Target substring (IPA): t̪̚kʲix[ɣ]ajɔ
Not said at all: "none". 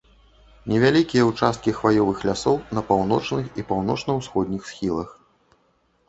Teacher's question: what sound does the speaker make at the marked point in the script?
v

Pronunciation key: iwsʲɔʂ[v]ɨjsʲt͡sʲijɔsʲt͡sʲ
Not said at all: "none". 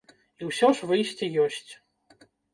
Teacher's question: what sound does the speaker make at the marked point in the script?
v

